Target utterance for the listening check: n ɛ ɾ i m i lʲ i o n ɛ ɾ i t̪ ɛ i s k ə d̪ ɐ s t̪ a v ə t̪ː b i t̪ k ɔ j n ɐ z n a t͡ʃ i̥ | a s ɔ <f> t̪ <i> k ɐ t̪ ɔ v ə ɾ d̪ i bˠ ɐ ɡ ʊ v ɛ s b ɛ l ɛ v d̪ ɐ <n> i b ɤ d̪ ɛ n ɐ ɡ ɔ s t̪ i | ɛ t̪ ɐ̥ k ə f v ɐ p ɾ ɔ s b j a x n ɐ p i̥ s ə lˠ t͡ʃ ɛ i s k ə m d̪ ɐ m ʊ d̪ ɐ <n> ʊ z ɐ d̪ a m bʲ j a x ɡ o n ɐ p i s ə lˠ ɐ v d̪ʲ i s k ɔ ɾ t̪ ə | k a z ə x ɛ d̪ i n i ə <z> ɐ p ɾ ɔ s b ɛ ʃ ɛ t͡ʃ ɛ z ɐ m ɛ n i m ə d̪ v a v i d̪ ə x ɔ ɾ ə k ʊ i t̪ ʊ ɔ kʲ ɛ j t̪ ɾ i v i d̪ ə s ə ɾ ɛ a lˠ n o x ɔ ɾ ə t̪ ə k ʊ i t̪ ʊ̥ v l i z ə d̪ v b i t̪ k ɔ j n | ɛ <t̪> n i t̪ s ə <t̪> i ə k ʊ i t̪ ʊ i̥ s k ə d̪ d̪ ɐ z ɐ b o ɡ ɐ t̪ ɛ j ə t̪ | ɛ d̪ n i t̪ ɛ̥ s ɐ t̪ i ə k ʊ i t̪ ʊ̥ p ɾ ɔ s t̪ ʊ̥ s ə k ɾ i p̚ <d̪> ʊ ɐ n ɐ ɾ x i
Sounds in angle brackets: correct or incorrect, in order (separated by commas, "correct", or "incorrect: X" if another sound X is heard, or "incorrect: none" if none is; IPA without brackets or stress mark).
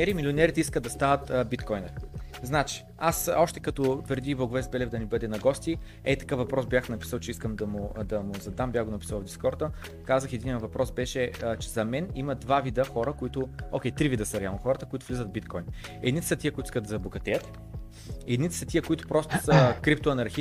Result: incorrect: ʃ, incorrect: ɛ, correct, incorrect: m, incorrect: v, incorrect: d̪, correct, incorrect: t̪